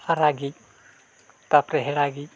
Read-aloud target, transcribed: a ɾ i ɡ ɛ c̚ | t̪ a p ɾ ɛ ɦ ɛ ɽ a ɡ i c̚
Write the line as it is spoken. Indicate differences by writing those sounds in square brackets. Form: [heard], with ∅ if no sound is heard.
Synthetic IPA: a ɾ [a] ɡ [i] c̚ | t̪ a p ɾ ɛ ɦ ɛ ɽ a ɡ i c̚